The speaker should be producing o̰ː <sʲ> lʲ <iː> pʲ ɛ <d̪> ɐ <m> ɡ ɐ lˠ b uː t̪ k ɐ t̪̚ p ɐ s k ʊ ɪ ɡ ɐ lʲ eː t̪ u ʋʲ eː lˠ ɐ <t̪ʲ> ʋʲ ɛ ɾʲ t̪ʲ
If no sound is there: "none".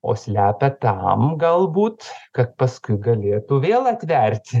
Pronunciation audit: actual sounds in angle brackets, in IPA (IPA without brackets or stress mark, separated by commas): sʲ, æː, t̪, m, t̪ʲ